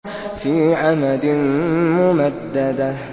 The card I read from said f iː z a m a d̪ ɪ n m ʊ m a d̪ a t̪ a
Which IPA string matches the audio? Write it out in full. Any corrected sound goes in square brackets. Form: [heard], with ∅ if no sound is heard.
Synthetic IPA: f iː [ʕ] a m a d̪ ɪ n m ʊ m a [d̪ː] a [d̪] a